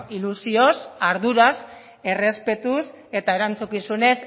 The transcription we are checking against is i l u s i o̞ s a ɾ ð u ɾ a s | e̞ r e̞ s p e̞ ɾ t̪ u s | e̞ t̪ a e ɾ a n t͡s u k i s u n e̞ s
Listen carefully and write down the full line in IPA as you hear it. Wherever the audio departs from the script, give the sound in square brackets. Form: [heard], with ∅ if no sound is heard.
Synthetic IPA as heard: i l u s i o̞ s a ɾ ð u ɾ a s | e̞ r e̞ s p e̞ [∅] t̪ u s | e̞ t̪ a e ɾ a n t͡s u k i s u n e̞ s